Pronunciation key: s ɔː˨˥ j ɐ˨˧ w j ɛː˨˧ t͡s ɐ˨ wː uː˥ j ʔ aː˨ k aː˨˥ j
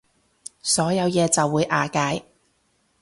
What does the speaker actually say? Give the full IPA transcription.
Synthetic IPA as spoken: s ɔː˨˥ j ɐ˨˧ w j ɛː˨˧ t͡s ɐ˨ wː uː˨˧ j ʔ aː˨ k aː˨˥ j